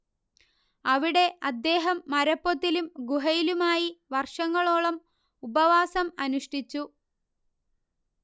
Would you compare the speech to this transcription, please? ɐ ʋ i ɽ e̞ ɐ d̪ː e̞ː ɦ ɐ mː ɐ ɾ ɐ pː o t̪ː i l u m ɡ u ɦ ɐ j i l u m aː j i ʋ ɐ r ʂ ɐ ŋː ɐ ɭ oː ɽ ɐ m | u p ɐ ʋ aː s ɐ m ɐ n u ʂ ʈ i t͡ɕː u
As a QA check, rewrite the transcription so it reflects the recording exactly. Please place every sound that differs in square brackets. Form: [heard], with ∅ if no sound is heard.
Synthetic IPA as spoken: ɐ ʋ i ɽ e̞ ɐ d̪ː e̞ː ɦ ɐ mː ɐ ɾ ɐ pː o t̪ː i l u m ɡ u ɦ ɐ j i l u m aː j i ʋ ɐ r ʂ ɐ ŋː ɐ ɭ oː [ɭ] ɐ m | u [b] ɐ ʋ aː s ɐ m ɐ n u ʂ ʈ i t͡ɕː u